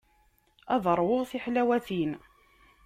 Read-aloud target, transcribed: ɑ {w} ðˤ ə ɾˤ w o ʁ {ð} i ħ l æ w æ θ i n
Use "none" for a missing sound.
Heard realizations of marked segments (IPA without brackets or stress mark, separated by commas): none, θ